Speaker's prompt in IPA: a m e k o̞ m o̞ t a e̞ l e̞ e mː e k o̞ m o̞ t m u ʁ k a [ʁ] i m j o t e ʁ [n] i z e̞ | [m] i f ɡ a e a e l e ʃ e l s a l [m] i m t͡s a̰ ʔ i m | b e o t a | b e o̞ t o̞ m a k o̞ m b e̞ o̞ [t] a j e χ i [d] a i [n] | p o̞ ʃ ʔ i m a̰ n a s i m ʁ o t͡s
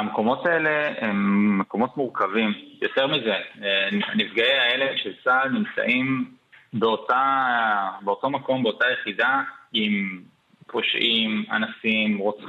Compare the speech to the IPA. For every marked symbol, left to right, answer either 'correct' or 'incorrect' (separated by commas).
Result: incorrect, incorrect, incorrect, incorrect, correct, correct, incorrect